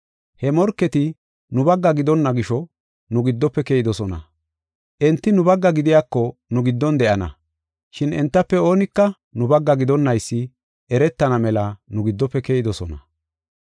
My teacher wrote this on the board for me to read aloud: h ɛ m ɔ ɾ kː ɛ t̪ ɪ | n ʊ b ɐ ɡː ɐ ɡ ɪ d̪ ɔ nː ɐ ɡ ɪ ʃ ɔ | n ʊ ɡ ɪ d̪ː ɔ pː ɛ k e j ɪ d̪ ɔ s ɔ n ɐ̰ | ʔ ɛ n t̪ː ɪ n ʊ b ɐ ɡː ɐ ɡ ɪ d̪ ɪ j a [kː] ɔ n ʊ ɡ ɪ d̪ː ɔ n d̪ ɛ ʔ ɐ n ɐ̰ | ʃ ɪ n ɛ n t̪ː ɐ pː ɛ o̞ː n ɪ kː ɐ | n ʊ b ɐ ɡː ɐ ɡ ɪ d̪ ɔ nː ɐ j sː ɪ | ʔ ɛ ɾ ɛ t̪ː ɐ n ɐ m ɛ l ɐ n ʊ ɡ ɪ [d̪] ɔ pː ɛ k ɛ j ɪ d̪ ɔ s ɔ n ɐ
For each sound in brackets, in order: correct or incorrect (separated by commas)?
correct, incorrect